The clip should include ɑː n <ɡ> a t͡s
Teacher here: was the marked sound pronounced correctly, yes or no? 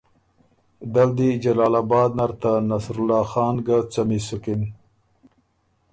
yes